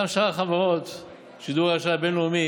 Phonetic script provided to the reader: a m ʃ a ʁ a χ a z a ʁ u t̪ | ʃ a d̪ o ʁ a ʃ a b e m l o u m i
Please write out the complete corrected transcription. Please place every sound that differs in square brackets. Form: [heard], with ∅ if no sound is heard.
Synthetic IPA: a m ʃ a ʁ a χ a [v] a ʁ [o] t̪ | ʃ [i] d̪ [u] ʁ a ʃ a b e [n] l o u m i